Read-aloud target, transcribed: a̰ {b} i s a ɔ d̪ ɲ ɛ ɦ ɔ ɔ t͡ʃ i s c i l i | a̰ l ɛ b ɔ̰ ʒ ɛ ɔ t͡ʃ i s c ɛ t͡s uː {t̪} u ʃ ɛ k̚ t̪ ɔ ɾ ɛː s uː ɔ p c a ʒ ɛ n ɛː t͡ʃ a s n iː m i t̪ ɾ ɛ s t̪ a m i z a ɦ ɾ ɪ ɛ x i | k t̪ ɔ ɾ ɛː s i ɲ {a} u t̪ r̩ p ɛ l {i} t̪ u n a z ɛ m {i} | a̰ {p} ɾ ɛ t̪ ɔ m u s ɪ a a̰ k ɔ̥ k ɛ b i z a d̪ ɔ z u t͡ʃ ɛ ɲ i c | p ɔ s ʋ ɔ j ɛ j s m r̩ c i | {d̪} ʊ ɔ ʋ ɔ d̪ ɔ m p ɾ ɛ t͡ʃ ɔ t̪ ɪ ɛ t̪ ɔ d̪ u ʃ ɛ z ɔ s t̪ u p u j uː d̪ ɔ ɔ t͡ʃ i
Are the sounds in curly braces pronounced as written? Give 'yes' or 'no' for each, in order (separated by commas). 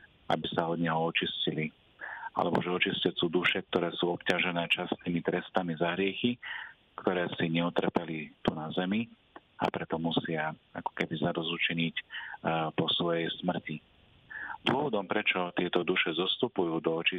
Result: yes, no, no, yes, yes, yes, yes